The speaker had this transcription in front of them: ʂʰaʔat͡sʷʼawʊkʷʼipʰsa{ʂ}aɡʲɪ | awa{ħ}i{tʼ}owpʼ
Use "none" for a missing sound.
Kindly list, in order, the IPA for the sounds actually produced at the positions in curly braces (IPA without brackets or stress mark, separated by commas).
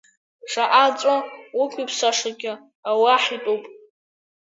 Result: ʂ, ħ, tʼ